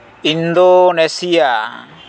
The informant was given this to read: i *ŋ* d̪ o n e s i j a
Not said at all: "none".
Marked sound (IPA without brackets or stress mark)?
n